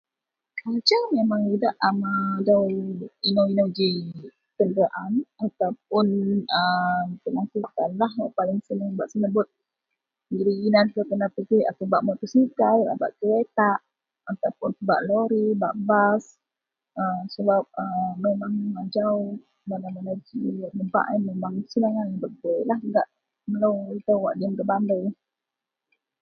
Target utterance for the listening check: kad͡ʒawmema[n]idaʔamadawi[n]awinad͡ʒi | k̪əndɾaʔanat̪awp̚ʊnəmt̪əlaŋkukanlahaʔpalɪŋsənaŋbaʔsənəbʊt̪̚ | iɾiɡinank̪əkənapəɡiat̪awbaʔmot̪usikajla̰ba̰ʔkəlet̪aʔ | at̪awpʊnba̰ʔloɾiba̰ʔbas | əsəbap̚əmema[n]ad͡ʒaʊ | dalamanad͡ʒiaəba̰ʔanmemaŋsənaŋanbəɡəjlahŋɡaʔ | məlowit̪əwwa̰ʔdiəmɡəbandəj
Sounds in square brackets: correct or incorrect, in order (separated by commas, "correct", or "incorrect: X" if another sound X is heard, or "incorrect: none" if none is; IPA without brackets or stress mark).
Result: incorrect: ŋ, correct, incorrect: ŋ